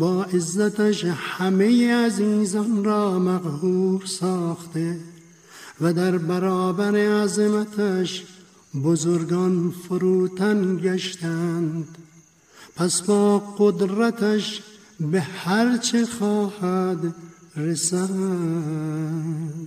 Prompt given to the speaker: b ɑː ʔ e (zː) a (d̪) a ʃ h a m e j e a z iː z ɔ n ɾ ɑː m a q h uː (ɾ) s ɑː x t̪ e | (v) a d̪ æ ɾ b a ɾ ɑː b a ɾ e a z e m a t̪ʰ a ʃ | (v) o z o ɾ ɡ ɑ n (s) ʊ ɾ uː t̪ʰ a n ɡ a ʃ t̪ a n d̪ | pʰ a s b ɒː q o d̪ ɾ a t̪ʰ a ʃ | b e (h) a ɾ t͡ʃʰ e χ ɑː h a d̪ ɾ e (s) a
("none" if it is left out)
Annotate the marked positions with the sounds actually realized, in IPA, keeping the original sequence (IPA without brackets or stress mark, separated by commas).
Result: zː, t̪, ɾ, v, b, f, h, s